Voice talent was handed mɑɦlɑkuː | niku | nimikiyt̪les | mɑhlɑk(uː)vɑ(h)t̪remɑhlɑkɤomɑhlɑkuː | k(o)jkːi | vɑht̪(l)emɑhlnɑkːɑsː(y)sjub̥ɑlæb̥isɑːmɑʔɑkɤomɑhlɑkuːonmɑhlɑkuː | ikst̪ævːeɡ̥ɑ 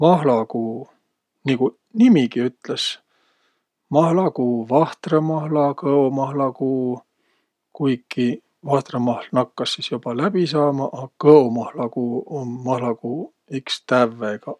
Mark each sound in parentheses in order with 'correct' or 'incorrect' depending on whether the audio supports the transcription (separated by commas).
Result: correct, correct, incorrect, incorrect, incorrect